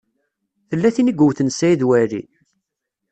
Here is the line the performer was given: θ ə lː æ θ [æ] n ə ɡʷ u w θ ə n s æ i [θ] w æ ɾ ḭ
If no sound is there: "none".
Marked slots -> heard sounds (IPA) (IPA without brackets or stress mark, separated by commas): i, ð